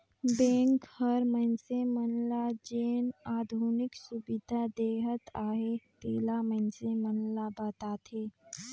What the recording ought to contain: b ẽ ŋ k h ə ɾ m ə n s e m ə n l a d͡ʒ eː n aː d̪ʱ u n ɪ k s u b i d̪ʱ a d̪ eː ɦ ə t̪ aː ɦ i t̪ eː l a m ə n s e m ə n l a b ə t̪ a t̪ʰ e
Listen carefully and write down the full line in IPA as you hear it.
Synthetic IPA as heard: b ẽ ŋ k h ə ɾ m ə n s e m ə n l a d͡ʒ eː n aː d̪ʱ u n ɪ k s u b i d̪ʱ a d̪ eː ɦ ə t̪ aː ɦ e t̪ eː l a m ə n s e m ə n l a b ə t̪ a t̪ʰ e